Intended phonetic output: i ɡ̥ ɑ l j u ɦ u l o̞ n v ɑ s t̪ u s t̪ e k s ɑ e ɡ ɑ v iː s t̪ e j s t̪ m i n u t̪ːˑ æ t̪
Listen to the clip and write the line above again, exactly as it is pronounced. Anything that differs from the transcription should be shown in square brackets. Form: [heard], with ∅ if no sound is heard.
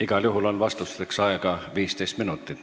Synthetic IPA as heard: i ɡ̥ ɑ l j u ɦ u l o̞ n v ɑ s t̪ u s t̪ e k s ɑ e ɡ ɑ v iː s t̪ e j s t̪ m i n u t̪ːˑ [i] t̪